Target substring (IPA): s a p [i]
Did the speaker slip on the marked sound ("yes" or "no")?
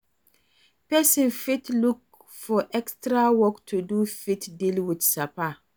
yes